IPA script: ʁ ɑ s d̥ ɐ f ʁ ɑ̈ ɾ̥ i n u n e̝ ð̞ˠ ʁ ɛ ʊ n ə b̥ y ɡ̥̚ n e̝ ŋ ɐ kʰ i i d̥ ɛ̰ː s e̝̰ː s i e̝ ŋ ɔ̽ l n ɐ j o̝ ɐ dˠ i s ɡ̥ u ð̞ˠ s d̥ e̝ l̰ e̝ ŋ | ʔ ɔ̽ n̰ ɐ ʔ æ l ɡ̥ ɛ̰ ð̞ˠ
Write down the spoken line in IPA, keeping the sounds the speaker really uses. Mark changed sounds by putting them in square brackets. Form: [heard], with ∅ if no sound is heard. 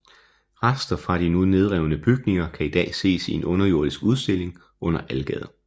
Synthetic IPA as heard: ʁ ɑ s d̥ ɐ f ʁ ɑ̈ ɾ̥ i n u n e̝ ð̞ˠ ʁ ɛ ʊ n ə b̥ y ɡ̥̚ n e̝ ŋ ɐ kʰ [æ] i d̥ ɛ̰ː s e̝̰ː s i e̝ [n] ɔ̽ [∅] n ɐ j o̝ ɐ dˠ i s ɡ̥ u ð̞ˠ s d̥ e̝ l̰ e̝ ŋ | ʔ ɔ̽ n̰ ɐ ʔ æ l ɡ̥ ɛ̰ ð̞ˠ